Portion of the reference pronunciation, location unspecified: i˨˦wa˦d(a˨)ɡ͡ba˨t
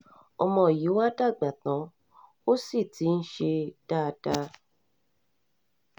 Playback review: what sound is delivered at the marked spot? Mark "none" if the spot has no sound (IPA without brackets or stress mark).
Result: a˦˨